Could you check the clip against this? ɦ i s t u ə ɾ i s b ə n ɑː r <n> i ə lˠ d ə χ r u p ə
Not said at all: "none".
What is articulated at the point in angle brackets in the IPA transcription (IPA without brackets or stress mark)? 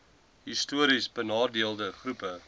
d